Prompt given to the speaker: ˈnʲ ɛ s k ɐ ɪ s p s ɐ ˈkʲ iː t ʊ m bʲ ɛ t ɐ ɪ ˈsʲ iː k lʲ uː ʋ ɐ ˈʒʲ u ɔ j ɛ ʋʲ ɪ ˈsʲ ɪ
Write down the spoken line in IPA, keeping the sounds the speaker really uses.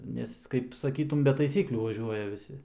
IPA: ˈnʲ ɛ s k ɐ ɪ p s ɐ ˈkʲ iː t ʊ m bʲ ɛ t ɐ ɪ ˈsʲ iː k lʲ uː ʋ ɐ ˈʒʲ u ɔ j ɛ ʋʲ ɪ ˈsʲ ɪ

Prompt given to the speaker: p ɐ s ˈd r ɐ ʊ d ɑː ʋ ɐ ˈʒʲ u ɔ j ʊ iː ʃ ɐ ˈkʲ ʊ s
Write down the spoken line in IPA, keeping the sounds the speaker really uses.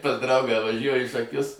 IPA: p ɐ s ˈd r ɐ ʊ ɡ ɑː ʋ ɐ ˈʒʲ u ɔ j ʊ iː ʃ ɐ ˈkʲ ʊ s

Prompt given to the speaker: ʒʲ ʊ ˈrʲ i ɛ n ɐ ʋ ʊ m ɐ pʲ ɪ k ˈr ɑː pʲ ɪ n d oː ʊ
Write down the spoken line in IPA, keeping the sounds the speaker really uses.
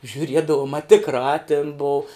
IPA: ʒʲ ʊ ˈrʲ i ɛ d ɐ ʋ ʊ m ɐ tʲ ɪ k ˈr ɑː tʲ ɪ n b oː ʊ

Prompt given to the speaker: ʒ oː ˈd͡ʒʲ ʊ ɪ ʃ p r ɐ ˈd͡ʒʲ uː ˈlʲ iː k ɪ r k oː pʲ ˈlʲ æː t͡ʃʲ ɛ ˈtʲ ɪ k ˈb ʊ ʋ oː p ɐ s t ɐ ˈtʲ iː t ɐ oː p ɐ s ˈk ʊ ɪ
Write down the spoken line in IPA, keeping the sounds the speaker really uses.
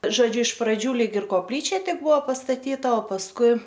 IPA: ʒ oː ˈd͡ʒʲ ʊ ɪ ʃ p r ɐ ˈd͡ʒʲ uː ˈlʲ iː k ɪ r k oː pʲ ˈlʲ iː t͡ʃʲ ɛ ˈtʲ ɪ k ˈb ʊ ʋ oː p ɐ s t ɐ ˈtʲ iː t ɐ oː p ɐ s ˈk ʊ ɪ

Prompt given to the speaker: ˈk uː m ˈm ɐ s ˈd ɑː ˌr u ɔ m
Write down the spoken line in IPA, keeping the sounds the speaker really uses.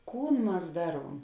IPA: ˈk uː n ˈm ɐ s ˈd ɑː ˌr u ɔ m

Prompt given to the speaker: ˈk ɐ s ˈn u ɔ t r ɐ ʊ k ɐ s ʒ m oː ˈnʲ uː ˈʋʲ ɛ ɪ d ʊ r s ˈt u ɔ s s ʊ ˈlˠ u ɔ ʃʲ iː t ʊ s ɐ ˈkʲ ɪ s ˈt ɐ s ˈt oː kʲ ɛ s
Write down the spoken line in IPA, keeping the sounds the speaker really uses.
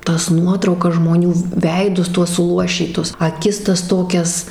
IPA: ˈt ɐ s ˈn u ɔ t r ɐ ʊ k ɐ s ʒ m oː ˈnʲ uː ˈʋʲ ɛ ɪ d ʊ s ˈt u ɔ s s ʊ ˈlˠ u ɔ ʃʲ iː t ʊ s ɐ ˈkʲ ɪ s ˈt ɐ s ˈt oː kʲ ɛ s

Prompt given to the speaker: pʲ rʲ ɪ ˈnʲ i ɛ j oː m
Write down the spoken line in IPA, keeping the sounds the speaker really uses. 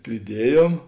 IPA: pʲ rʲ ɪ ˈdʲ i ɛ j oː m

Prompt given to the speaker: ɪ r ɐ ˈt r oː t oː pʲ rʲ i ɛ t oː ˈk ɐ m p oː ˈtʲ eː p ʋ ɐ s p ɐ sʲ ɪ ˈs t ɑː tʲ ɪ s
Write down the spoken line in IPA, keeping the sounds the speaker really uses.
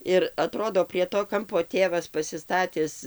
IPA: ɪ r ɐ ˈt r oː d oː pʲ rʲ i ɛ t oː ˈk ɐ m p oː ˈtʲ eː ʋ ɐ s p ɐ sʲ ɪ ˈs t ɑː tʲ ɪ s

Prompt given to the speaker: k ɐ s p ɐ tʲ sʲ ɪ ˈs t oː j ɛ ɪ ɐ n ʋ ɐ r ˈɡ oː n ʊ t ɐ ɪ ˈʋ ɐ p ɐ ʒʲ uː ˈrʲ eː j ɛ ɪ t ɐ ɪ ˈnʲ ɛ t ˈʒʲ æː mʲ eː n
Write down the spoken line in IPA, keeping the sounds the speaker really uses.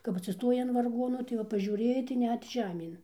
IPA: k ɐ p ɐ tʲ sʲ ɪ ˈs t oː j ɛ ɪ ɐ n ʋ ɐ r ˈɡ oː n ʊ t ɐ ɪ ˈʋ ɐ p ɐ ʒʲ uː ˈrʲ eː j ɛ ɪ t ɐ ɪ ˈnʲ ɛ t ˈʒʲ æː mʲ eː n

